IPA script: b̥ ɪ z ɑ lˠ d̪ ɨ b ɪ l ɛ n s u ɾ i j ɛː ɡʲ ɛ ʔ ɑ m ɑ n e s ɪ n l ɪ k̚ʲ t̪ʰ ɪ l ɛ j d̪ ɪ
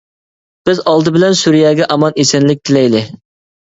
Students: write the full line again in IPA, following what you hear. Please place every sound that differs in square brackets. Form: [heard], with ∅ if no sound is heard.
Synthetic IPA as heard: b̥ ɪ z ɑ lˠ d̪ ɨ b ɪ l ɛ n s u ɾ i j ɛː ɡʲ ɛ ʔ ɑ m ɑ n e s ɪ n l ɪ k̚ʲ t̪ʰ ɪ l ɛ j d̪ ɪ